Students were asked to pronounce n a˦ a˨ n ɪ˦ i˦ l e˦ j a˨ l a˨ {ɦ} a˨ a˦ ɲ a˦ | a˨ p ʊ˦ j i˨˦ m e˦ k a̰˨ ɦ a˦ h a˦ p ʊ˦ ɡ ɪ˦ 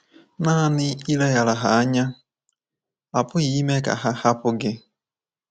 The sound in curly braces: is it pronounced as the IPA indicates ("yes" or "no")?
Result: yes